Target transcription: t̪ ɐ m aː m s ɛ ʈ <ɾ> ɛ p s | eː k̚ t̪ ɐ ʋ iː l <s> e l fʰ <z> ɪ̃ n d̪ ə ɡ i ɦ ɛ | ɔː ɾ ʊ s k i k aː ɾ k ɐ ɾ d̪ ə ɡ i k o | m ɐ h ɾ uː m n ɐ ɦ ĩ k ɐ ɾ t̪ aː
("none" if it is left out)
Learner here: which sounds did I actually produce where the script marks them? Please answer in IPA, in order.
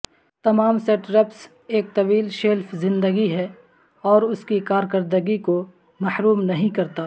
ɾ, ʃ, z

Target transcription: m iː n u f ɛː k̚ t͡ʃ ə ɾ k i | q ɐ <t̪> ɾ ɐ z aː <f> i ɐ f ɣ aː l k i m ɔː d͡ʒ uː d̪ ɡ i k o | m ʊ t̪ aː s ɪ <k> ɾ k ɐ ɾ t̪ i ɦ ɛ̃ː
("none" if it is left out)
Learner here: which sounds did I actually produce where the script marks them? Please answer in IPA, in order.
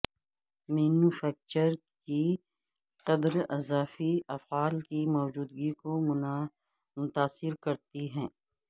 d̪, f, none

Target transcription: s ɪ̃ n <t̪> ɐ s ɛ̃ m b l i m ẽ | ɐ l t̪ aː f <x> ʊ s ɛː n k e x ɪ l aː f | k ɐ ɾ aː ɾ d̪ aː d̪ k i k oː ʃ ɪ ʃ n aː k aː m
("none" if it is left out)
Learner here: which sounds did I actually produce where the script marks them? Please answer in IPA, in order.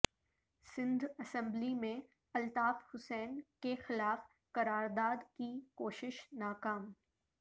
d̪, h

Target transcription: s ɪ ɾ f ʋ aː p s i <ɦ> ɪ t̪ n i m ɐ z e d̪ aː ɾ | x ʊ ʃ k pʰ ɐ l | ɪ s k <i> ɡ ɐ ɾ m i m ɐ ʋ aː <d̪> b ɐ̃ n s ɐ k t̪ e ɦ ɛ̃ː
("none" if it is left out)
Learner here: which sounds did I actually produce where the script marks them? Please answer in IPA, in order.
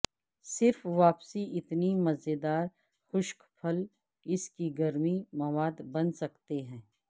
none, i, d̪

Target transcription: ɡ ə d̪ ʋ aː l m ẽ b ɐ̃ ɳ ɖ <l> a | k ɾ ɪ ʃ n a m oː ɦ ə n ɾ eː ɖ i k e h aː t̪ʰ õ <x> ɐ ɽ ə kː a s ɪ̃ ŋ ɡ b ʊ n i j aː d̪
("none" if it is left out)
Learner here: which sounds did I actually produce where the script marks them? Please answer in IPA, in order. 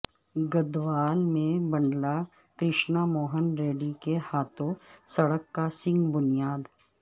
l, s

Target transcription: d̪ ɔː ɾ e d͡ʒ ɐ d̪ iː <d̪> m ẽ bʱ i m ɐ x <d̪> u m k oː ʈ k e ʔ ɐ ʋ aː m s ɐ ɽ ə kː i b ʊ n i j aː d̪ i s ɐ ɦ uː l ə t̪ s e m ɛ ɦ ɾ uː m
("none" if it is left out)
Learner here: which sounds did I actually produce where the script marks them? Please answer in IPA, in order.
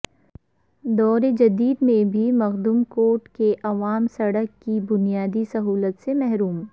d̪, d̪

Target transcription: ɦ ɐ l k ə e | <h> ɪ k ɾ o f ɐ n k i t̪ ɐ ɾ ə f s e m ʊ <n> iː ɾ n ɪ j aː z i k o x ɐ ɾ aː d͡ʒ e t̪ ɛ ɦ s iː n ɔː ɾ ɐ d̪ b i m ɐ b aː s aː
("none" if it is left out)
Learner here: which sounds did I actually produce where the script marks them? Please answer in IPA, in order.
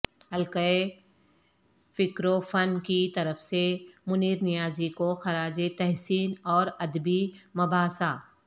f, n

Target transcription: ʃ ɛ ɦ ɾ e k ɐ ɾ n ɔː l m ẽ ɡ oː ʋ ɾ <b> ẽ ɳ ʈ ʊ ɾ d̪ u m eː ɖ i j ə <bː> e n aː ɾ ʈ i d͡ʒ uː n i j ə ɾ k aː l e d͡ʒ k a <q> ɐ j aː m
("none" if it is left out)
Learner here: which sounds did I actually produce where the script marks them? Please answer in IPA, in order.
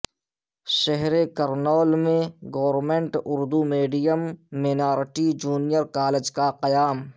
m, mː, q

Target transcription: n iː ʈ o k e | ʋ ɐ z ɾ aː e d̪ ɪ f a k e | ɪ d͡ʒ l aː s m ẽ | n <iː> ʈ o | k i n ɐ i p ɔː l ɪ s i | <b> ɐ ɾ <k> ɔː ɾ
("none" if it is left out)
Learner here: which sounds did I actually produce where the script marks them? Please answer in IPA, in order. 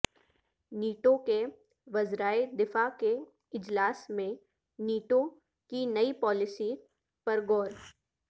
iː, p, ɡ

